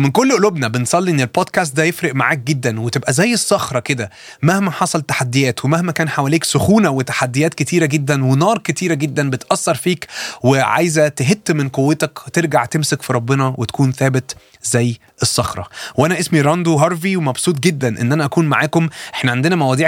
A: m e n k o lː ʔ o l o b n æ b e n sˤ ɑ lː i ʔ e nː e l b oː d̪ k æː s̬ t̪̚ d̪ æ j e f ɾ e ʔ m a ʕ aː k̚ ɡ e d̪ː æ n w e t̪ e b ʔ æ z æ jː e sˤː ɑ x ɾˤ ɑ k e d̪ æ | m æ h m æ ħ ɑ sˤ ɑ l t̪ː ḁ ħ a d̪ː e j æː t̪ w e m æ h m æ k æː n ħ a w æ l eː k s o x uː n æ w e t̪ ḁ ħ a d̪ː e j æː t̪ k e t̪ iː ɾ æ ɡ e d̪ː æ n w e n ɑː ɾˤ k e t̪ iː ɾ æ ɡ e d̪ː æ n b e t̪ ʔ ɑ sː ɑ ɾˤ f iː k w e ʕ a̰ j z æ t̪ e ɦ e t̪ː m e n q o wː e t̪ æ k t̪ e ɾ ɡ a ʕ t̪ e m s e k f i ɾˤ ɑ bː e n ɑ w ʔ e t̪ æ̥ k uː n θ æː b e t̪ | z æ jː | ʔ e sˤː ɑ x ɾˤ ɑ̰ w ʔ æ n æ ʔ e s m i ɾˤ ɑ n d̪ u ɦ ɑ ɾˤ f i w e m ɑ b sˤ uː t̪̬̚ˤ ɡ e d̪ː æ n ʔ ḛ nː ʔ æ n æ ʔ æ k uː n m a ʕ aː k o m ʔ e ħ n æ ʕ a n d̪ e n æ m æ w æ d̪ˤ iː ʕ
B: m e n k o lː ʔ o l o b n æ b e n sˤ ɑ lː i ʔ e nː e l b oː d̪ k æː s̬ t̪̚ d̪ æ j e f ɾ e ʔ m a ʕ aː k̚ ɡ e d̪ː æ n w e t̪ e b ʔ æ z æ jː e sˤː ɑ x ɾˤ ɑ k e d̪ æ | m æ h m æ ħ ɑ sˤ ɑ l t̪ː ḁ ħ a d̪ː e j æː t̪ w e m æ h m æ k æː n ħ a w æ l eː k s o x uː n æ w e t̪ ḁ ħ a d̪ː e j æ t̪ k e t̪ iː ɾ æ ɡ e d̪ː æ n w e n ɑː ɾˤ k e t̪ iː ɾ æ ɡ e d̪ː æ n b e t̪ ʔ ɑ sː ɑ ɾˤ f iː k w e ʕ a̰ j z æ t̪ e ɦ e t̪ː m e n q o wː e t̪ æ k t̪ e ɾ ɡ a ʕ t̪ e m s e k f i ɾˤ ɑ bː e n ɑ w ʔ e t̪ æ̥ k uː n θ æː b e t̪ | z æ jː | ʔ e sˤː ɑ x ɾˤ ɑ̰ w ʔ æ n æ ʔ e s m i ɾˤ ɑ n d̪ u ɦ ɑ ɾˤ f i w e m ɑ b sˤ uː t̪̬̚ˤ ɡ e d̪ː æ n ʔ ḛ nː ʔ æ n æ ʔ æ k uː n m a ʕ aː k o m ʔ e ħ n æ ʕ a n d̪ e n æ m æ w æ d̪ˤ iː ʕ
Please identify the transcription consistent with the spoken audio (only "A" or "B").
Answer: A